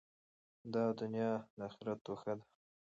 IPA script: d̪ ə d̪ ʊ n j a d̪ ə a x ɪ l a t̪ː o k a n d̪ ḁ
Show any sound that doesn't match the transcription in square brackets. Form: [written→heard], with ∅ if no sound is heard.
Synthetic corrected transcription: d̪ [ə→ɑ] d̪ ʊ n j [a→ɑ] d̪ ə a x ɪ [l→ɾ] a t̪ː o [k→x] a [n→∅] d̪ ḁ